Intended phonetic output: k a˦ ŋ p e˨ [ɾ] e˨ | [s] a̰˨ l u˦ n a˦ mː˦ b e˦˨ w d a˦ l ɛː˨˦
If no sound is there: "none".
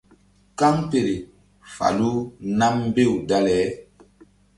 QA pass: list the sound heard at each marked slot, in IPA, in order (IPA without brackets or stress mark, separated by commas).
ɾ, f